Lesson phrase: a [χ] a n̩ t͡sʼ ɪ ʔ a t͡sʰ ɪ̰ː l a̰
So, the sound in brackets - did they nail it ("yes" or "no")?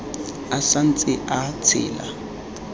no